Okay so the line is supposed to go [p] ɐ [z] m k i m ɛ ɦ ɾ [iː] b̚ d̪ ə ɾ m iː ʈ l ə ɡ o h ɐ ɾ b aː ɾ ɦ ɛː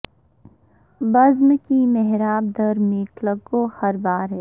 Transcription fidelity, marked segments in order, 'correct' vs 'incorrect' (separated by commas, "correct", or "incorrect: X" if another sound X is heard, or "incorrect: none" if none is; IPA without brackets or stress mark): incorrect: b, correct, incorrect: aː